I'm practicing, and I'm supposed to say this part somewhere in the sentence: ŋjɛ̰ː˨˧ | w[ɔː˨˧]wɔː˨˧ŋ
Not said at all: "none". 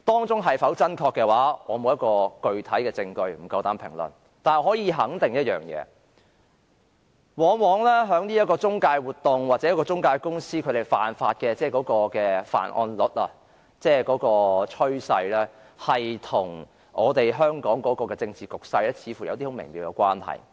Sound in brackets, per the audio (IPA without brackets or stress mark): ɔː˨˧